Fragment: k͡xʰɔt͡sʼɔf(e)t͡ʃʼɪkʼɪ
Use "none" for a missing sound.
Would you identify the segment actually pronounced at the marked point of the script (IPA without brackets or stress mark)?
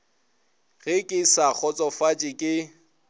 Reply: a